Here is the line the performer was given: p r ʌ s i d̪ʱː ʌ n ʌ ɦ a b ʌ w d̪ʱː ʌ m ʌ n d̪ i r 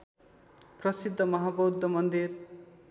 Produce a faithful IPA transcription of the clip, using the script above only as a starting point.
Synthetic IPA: p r ʌ s i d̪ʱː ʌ m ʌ ɦ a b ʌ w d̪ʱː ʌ m ʌ n d̪ i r